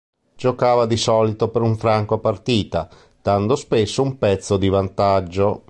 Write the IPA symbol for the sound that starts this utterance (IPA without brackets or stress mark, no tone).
d͡ʒ